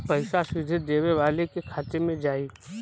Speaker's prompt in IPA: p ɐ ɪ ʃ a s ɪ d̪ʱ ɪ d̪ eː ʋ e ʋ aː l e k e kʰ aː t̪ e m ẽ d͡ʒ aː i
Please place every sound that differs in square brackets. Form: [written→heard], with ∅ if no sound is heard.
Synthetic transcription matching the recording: p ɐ ɪ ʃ a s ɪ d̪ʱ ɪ d̪ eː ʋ e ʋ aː l e k e kʰ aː t̪ e m ẽ d͡ʒ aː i